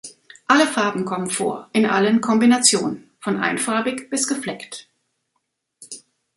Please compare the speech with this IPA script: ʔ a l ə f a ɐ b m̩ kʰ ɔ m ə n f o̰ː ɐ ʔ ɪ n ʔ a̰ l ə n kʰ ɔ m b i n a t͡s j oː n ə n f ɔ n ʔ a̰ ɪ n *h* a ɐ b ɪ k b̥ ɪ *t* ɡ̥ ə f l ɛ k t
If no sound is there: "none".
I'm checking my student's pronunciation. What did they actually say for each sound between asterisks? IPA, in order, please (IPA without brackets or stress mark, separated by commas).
f, s